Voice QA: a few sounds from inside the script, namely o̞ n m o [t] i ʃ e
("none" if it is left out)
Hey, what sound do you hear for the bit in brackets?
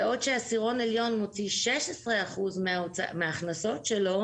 t͡s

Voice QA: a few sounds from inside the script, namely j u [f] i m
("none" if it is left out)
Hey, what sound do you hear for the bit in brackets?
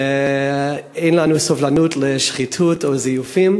f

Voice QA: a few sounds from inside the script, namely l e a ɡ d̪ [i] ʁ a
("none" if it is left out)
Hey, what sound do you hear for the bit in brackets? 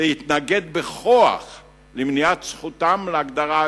a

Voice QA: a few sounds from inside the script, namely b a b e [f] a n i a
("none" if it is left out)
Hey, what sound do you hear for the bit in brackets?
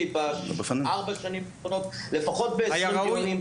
f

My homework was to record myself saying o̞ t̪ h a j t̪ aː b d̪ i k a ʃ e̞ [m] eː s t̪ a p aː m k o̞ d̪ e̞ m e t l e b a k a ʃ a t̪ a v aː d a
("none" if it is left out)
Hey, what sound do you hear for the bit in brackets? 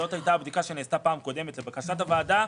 n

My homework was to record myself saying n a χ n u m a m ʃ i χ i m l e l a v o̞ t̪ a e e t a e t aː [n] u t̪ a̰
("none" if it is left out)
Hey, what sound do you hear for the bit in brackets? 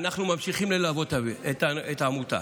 m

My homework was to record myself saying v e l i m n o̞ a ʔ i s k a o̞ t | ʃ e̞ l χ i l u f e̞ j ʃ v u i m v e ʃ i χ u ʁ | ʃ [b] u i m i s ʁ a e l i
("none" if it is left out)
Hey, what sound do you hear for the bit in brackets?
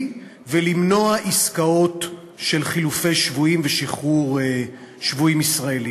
v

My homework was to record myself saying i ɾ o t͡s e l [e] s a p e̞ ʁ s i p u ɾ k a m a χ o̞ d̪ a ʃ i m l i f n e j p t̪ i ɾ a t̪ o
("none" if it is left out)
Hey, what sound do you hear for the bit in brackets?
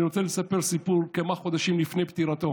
e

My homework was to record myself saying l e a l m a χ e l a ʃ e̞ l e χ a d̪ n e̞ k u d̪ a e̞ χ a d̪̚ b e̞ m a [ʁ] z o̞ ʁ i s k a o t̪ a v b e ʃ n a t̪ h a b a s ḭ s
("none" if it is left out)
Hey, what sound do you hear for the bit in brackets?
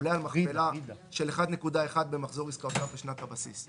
χ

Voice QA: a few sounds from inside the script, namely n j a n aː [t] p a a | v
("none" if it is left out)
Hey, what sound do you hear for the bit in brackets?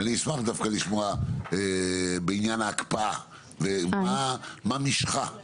k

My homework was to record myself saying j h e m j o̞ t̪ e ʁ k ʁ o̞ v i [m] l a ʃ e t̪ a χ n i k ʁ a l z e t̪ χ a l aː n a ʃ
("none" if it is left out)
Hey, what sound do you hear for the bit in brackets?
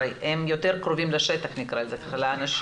m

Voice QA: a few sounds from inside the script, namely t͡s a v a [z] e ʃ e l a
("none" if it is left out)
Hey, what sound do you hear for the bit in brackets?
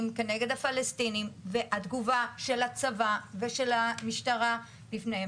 v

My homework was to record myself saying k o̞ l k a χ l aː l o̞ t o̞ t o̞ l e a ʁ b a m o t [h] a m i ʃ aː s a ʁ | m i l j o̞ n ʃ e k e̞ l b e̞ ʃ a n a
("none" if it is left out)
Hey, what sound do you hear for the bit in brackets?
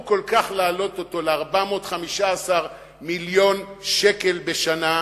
χ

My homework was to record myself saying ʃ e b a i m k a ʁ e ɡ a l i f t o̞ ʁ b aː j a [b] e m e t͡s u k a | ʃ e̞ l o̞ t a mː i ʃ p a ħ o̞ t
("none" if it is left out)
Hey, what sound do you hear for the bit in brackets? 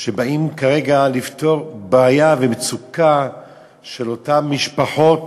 v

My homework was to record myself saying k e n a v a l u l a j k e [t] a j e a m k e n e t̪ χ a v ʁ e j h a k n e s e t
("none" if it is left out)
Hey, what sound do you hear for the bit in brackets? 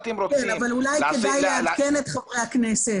d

